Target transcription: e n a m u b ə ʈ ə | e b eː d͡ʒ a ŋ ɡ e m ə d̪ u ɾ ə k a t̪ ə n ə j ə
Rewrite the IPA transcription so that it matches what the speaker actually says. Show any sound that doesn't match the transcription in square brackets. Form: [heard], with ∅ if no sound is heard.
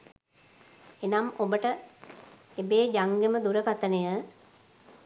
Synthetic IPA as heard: e n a m [o] b ə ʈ ə | e b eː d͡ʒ a ŋ ɡ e m ə d̪ u ɾ ə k a t̪ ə n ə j ə